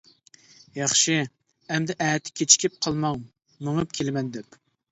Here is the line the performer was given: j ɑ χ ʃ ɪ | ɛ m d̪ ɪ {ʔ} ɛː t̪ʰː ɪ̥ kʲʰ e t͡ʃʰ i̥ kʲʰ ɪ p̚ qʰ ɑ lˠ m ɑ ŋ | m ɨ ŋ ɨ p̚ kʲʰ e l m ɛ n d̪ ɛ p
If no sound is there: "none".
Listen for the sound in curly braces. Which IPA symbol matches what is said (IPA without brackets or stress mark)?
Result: ʔ